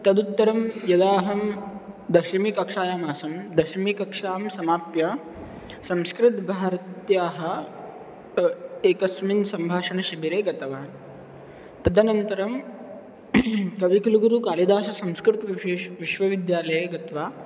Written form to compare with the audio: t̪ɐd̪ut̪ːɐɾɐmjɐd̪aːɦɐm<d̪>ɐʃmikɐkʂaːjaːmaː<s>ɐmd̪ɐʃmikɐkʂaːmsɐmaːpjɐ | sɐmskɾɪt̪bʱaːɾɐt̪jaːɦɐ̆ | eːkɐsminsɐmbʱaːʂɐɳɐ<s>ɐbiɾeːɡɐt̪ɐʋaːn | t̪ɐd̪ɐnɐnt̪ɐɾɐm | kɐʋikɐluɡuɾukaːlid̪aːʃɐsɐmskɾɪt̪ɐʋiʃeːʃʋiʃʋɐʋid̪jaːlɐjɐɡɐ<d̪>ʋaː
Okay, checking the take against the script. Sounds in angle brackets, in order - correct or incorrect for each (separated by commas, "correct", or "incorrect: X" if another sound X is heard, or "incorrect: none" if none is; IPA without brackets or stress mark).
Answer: correct, correct, incorrect: ʃ, incorrect: t̪